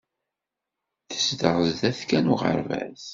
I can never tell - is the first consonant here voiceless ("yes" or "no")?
yes